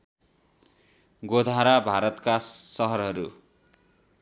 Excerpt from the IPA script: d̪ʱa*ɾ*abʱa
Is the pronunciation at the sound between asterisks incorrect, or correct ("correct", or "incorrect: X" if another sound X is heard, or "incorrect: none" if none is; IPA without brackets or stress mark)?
correct